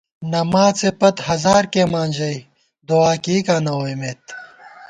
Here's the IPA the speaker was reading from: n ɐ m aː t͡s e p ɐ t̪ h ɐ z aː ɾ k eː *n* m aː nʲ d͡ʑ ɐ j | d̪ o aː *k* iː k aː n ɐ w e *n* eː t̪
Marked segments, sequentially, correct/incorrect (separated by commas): incorrect, correct, incorrect